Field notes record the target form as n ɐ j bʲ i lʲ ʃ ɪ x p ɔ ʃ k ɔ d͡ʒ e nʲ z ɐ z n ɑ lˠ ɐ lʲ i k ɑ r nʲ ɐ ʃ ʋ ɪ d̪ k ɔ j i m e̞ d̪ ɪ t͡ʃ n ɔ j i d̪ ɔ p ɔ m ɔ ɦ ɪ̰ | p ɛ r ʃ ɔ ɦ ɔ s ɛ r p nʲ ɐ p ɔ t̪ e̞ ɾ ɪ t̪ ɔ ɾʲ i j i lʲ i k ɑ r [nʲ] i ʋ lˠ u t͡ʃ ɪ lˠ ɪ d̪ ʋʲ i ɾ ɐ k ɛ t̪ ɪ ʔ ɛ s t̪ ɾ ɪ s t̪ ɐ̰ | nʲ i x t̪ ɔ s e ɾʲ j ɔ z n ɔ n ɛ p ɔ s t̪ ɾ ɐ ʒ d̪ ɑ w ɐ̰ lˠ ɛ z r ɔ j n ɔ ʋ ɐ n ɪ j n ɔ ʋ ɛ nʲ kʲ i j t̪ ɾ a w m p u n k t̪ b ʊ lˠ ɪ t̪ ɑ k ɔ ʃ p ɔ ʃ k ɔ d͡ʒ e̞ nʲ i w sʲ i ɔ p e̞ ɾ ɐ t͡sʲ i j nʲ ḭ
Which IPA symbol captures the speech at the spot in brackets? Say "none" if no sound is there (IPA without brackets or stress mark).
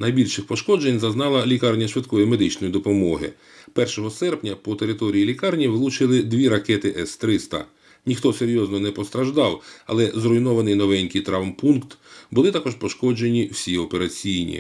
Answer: nʲ